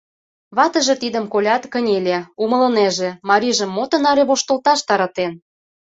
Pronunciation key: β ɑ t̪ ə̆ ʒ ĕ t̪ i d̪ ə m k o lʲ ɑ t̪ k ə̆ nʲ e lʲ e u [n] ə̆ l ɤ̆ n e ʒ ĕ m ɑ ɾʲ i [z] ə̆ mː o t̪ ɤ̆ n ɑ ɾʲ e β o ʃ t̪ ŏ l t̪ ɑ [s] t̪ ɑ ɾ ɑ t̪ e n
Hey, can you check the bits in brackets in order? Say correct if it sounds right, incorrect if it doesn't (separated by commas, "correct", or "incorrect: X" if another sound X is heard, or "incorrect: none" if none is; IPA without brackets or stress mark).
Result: incorrect: m, incorrect: ʒ, incorrect: ʃ